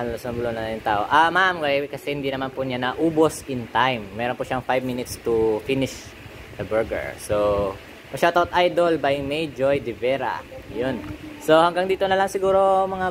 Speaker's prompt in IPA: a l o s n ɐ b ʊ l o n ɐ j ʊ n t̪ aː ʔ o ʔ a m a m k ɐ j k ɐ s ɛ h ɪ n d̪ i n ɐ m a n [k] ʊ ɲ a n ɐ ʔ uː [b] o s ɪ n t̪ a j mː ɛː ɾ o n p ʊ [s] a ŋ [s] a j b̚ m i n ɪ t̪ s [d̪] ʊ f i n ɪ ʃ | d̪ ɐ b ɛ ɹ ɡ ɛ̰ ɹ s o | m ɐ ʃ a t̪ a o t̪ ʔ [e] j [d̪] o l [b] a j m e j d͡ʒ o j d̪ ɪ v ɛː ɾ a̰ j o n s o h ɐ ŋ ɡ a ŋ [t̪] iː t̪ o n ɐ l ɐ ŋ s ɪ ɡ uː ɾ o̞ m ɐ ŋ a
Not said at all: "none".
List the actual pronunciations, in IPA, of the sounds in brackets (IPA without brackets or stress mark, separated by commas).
p, b, ʃ, f, t̪, a, d̪, b, d̪